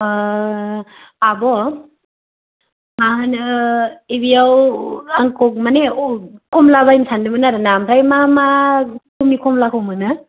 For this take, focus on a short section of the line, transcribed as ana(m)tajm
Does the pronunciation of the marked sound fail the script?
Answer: no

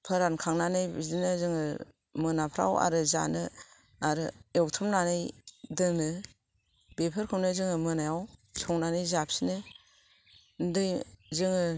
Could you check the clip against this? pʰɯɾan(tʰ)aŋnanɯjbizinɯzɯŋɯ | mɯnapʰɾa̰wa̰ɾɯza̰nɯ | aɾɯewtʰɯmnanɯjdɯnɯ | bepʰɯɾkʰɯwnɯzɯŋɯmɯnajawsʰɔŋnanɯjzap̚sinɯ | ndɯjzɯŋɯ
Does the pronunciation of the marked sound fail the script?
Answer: yes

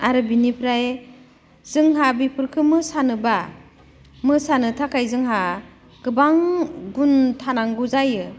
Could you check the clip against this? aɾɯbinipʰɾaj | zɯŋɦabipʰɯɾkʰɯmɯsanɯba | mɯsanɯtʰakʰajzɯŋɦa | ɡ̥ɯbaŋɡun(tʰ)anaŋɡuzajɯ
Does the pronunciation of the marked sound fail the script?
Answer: no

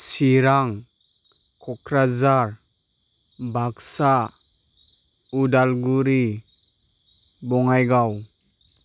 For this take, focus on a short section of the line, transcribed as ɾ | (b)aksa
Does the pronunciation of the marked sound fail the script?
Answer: no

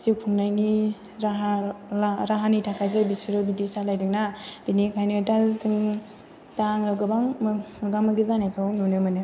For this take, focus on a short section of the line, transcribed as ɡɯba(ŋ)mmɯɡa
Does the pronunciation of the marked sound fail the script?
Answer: no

